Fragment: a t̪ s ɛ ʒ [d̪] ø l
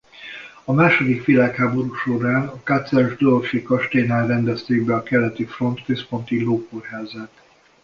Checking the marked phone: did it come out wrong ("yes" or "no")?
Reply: no